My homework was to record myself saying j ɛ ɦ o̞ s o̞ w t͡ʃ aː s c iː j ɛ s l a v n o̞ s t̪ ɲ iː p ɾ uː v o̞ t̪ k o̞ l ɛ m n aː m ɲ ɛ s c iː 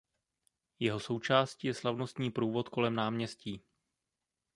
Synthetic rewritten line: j ɛ ɦ o̞ s o̞ w t͡ʃ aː s c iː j ɛ s l a v n o̞ s t̪ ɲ iː p ɾ uː v o̞ t̪ k o̞ l ɛ m n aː m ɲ ɛ s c iː